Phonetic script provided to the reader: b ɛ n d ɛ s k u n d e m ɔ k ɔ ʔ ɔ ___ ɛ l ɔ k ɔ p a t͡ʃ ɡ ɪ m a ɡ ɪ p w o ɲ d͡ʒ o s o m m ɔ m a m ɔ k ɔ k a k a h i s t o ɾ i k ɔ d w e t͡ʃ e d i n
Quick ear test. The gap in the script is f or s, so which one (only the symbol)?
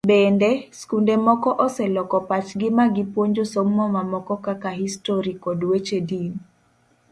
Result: s